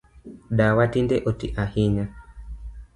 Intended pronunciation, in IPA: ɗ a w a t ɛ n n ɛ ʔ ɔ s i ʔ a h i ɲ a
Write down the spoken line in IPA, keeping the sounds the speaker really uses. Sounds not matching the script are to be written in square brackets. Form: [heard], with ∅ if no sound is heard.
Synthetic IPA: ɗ a w a t [i] n [d] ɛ ʔ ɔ [t] i ʔ a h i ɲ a

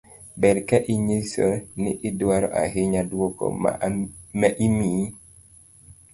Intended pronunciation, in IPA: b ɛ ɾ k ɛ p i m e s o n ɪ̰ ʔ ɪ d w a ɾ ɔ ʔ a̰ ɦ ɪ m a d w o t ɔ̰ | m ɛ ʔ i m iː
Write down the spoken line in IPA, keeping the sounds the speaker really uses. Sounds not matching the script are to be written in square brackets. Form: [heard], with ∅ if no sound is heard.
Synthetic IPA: b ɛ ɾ k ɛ [ʔ] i [ɲ] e s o n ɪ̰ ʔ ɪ d w a ɾ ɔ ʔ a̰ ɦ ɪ [ɲ] a d w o [k] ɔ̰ | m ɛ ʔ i m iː

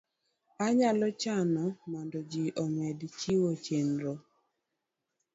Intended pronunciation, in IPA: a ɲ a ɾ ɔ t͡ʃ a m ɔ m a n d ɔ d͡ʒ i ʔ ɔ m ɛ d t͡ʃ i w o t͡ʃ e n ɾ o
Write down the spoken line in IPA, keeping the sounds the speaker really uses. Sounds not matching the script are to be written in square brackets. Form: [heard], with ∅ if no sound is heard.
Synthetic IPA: a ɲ a [l] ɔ t͡ʃ a [n] ɔ m a n d ɔ d͡ʒ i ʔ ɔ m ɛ d t͡ʃ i w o t͡ʃ e n ɾ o

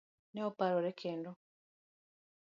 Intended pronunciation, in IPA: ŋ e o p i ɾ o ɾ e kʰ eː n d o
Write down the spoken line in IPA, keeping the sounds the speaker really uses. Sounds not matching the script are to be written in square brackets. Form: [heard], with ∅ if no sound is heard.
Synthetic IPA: [n] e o p [a] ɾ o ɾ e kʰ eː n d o

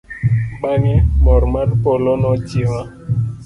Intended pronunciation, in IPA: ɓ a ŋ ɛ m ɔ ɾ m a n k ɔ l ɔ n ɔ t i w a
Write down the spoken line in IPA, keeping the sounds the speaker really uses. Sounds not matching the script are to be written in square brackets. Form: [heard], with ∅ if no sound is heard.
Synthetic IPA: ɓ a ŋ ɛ m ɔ ɾ m a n [p] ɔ l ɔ n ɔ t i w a

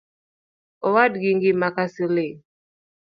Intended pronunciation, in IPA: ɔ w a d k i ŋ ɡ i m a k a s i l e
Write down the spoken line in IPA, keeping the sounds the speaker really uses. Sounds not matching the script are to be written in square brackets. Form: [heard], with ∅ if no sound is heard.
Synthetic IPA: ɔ w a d [ɡ] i ŋ ɡ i m a k a s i l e

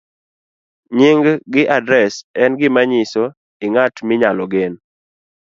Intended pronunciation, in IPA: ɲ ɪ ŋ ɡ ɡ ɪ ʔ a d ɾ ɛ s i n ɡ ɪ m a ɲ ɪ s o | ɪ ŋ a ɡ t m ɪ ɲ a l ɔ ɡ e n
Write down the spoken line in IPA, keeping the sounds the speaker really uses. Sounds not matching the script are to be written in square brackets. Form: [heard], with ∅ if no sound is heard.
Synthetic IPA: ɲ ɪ ŋ ɡ ɡ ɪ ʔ a d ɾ ɛ s [ɛ] n ɡ ɪ m a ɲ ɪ s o | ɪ ŋ a [∅] t m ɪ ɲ a l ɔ ɡ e n

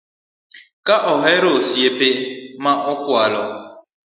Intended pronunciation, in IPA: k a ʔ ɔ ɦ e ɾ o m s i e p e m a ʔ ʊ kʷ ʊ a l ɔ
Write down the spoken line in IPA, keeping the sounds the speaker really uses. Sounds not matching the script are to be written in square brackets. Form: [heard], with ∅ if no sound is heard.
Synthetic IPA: k a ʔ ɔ ɦ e ɾ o [∅] s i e p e m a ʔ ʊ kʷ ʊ a l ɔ

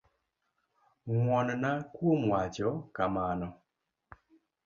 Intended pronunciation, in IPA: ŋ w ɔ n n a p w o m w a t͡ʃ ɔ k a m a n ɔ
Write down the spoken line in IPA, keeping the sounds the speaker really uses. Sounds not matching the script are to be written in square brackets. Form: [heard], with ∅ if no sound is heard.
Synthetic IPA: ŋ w ɔ n n a [k] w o m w a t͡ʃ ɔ k a m a n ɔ

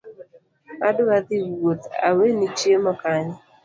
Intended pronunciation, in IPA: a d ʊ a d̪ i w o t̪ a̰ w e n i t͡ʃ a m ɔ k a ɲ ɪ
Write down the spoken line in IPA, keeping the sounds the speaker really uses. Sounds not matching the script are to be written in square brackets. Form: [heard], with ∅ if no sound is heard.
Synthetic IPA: a d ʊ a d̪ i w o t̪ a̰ w e n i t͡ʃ [e] m ɔ k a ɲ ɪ

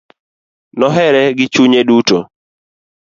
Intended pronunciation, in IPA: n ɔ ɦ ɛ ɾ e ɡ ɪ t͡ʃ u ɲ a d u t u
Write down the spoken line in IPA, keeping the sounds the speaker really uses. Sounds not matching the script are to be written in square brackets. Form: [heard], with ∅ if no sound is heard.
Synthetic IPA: n ɔ ɦ ɛ ɾ [ɛ] ɡ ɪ t͡ʃ u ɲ [e] d u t [o]

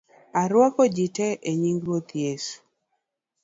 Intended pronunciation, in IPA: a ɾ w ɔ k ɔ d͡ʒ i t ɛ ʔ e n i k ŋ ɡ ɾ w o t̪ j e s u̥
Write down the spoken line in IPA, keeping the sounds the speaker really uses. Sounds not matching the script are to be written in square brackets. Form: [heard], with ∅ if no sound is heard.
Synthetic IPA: a ɾ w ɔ k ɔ d͡ʒ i t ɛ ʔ e [ɲ] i [∅] ŋ ɡ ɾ w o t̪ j e s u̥

